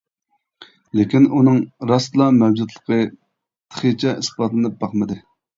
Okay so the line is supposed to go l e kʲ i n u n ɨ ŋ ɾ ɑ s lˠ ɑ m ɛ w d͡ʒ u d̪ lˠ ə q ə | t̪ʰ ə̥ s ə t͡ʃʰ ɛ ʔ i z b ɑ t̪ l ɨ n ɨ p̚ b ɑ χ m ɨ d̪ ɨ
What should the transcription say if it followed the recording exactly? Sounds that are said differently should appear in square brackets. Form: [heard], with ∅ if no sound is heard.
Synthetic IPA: l e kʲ i n u n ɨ ŋ ɾ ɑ s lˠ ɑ m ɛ w d͡ʒ u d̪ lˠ ə q ə | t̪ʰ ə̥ [χ] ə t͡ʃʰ ɛ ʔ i [s] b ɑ t̪ l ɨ n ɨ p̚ b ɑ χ m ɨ d̪ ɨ